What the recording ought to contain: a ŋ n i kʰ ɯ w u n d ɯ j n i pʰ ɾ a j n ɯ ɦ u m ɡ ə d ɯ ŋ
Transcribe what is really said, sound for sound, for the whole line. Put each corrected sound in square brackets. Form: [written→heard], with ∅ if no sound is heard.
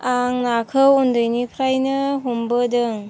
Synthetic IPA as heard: a ŋ n [i→a] kʰ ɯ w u n d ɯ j n i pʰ ɾ a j n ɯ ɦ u m [ɡ→b] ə d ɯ ŋ